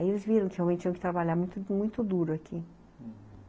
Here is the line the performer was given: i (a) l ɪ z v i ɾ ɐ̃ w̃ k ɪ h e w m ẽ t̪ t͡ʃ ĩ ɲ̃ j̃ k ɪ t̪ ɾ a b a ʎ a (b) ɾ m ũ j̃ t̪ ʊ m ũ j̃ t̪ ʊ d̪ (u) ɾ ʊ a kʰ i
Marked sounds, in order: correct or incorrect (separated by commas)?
incorrect, incorrect, correct